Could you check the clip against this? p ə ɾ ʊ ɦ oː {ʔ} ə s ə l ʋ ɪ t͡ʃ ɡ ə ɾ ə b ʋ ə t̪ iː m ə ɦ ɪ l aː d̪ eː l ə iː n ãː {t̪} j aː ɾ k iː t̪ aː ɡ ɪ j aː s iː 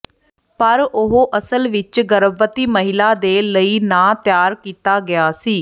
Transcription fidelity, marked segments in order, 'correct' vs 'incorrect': correct, correct

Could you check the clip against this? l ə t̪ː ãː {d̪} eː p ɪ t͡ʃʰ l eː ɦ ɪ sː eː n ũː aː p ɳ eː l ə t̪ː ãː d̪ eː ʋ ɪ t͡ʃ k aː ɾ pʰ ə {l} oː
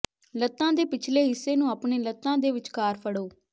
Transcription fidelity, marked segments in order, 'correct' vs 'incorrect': correct, incorrect: ɽ

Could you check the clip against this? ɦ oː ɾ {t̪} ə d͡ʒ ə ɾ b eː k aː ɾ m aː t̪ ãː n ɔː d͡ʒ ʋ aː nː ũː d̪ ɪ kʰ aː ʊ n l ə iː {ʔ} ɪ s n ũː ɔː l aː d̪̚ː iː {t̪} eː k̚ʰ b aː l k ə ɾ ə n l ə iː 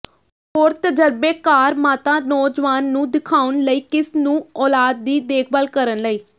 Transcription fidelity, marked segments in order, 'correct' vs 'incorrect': correct, incorrect: k, incorrect: d̪

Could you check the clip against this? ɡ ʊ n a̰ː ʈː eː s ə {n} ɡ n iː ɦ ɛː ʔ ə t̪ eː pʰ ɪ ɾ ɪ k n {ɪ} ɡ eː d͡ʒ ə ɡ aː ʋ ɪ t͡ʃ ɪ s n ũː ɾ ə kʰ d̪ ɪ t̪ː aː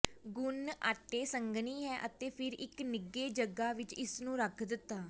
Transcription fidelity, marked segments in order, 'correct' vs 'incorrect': incorrect: ŋ, correct

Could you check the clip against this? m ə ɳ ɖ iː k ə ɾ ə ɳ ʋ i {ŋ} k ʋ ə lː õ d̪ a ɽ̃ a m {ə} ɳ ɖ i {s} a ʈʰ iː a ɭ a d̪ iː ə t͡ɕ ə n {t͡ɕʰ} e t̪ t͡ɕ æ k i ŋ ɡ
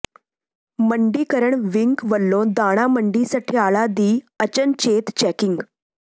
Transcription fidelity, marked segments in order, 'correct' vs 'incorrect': correct, correct, correct, incorrect: t͡ɕ

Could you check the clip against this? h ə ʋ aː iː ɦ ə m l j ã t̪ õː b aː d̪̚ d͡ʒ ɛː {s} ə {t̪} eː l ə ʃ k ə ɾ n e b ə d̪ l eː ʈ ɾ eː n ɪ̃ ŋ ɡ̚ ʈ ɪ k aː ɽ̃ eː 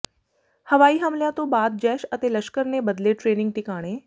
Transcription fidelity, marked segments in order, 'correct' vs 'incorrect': incorrect: ʃ, correct

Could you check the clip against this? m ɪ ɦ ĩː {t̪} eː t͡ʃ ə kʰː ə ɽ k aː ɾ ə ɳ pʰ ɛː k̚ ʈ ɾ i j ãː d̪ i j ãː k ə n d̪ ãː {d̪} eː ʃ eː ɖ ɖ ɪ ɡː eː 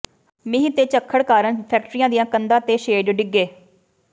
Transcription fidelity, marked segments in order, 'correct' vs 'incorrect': correct, incorrect: t̪

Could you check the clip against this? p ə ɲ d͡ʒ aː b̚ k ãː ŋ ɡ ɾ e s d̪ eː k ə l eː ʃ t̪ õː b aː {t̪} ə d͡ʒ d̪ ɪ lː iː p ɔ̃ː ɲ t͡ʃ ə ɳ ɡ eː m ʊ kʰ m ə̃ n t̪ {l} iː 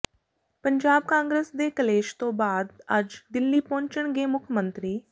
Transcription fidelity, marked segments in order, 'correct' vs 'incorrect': incorrect: d̪, incorrect: ɾ

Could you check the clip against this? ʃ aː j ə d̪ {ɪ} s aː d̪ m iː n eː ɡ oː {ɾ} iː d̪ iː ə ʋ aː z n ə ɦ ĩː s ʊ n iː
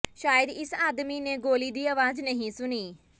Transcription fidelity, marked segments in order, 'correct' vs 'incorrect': correct, incorrect: l

